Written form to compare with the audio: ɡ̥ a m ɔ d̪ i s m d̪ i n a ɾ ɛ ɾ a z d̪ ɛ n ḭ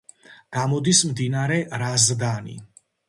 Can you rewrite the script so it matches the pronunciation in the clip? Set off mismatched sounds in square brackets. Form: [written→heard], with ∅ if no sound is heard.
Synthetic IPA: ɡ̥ a m ɔ d̪ i s m d̪ i n a ɾ ɛ ɾ a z d̪ [ɛ→a] n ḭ